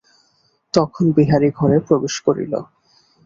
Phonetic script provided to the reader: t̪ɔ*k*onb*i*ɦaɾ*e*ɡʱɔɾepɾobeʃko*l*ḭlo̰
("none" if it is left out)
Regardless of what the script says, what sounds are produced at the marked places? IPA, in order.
kʰ, i, i, ɾ

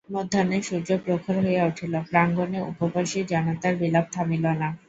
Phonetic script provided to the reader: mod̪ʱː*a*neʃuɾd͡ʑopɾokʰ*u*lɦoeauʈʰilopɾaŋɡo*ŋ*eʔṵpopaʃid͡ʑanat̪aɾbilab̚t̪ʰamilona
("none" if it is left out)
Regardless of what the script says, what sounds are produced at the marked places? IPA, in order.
a, o, n

